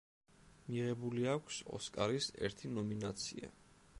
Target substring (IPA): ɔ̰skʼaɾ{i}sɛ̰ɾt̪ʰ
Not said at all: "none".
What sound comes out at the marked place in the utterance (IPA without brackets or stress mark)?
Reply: i